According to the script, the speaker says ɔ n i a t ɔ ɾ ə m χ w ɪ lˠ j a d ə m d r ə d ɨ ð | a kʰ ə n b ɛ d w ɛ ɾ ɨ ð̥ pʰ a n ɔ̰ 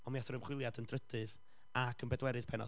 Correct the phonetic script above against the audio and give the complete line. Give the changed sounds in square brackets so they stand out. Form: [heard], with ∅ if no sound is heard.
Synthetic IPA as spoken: ɔ [m] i a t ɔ ɾ ə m χ w ɪ lˠ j a d ə [n] d r ə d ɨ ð | a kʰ ə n b ɛ d w ɛ ɾ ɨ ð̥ pʰ [ɛ] n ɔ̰

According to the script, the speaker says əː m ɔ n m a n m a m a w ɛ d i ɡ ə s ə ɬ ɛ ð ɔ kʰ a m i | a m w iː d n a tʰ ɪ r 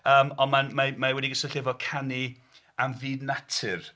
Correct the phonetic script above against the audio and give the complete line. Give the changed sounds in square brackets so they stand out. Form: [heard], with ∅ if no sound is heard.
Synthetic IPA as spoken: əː m ɔ n m a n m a m a w ɛ d i ɡ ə s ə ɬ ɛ [v] ɔ kʰ a [n] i | a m [v] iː d n a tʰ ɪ r

